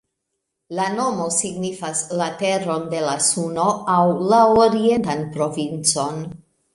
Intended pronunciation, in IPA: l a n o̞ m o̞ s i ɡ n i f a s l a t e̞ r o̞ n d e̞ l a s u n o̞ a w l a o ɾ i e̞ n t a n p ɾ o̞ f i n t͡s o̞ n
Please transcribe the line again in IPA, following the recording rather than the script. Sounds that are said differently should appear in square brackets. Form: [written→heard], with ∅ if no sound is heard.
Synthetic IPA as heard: l a n o̞ m o̞ s i ɡ n i f a s l a t e̞ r o̞ n d e̞ l a s u n o̞ a w l a o ɾ i e̞ n t a n p ɾ o̞ [f→v] i n t͡s o̞ n